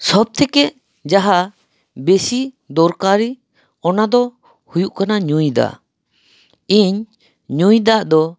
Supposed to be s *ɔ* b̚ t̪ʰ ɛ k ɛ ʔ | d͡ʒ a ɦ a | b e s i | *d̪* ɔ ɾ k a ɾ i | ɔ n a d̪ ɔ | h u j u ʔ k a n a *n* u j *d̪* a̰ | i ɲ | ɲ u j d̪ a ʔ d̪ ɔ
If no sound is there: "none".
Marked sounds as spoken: ɔ, d̪, ɲ, d̪

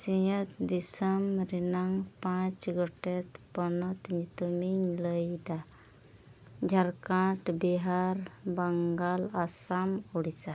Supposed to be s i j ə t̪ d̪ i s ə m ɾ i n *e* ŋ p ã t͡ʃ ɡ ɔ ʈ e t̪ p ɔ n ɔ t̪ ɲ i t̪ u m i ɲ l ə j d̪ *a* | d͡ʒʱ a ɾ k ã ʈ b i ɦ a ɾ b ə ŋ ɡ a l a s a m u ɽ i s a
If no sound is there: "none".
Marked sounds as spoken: a, a

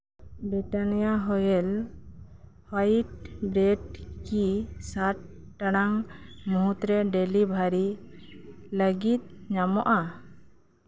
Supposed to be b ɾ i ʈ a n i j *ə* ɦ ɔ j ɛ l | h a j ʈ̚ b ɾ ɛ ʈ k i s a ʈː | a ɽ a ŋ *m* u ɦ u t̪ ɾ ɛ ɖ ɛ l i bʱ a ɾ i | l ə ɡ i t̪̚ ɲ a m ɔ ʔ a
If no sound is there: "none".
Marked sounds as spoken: a, m

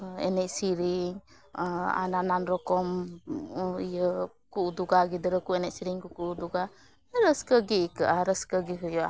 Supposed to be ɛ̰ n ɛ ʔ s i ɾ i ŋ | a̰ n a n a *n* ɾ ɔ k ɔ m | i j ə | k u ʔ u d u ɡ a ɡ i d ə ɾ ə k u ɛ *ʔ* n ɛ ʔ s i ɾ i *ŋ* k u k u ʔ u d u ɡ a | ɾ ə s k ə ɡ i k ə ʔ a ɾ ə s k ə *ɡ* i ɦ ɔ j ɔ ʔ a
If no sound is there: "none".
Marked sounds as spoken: n, none, ŋ, ɡ

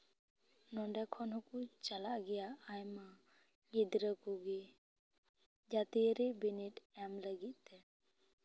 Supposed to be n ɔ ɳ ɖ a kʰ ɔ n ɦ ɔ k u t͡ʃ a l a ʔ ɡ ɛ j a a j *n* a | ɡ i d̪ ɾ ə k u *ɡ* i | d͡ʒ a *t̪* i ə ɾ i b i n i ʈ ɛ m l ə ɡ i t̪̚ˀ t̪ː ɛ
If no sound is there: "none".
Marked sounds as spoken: m, ɡ, t̪

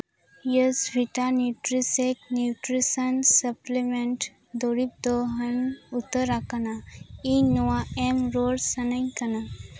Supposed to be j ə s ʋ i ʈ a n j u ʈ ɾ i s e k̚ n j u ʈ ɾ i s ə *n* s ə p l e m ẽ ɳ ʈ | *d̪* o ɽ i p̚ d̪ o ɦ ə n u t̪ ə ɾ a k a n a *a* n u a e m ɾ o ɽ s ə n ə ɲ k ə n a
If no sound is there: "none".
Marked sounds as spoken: n, d̪, i

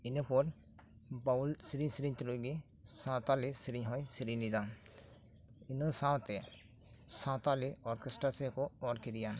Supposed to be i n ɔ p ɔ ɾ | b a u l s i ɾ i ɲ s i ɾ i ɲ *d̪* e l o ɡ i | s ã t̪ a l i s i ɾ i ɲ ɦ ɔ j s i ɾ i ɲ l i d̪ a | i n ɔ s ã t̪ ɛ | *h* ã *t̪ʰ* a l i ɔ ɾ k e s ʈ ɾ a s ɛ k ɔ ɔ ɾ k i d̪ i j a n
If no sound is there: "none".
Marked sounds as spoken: t̪, s, t̪

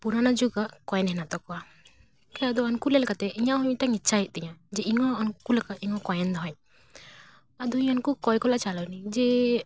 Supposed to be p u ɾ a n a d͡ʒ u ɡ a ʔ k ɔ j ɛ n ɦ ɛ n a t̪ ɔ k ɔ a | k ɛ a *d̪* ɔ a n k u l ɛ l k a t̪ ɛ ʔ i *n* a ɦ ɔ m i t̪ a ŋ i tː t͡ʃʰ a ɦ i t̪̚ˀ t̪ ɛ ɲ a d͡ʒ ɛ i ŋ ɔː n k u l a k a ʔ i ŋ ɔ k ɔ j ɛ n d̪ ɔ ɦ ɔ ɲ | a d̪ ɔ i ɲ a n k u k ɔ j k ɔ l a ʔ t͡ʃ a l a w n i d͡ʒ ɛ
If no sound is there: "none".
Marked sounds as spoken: d̪, ɲ

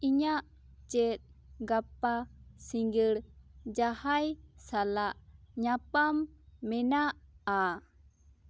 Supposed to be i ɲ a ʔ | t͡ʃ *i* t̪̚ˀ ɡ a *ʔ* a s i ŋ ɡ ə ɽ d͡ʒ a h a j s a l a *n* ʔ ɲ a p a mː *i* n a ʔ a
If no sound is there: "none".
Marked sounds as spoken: ɛ, p, none, ɛ

